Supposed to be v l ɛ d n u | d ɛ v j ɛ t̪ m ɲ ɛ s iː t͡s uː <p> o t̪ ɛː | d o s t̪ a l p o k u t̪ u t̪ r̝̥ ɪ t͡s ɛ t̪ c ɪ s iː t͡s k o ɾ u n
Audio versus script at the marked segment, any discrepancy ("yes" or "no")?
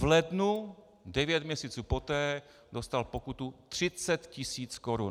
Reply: no